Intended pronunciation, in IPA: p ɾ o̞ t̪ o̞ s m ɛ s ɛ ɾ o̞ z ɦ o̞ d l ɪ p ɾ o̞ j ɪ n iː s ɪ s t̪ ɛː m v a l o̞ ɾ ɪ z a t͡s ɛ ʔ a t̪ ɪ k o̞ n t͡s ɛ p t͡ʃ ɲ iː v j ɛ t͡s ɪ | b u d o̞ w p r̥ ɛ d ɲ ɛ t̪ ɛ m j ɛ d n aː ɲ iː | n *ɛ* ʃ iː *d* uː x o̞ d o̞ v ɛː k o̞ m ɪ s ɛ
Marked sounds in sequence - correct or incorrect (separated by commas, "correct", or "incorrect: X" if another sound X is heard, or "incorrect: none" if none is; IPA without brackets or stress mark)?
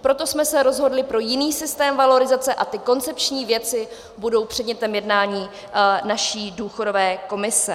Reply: incorrect: a, correct